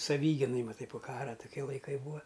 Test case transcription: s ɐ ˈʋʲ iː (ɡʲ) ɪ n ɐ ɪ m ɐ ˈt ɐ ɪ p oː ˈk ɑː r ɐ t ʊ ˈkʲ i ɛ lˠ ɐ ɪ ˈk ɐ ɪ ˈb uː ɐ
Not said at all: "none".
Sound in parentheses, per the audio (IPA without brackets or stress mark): ɡʲ